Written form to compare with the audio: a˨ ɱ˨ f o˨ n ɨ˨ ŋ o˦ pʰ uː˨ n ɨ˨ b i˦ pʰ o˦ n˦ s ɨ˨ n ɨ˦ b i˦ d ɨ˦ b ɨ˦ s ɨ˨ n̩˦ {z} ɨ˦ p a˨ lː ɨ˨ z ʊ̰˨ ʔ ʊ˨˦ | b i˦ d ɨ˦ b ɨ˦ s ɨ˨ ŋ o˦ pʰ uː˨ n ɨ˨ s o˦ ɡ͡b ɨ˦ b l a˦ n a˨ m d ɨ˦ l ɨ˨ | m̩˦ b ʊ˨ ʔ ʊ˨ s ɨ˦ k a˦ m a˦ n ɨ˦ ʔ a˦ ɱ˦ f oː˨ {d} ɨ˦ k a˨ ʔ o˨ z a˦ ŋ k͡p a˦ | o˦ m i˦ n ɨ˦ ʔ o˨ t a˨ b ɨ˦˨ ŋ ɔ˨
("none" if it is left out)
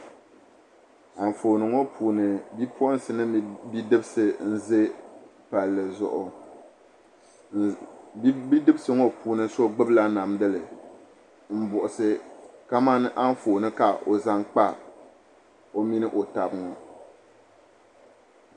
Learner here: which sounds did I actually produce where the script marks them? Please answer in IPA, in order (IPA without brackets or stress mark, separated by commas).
z, n